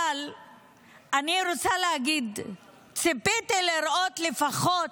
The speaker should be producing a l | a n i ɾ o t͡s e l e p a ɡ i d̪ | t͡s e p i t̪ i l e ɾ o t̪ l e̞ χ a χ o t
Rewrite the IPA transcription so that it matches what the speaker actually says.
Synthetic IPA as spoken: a l | a n i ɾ o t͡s a l e a ɡ i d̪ | t͡s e p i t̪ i l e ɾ o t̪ l e̞ f a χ o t